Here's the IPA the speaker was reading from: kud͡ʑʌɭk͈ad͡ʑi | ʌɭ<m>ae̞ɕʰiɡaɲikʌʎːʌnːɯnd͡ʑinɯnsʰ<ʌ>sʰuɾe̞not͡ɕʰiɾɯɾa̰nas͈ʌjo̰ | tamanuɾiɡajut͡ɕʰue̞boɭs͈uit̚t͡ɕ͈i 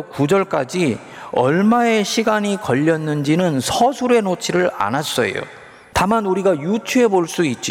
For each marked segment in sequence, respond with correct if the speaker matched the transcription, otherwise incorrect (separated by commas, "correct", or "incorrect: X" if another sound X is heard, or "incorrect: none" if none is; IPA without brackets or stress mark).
correct, correct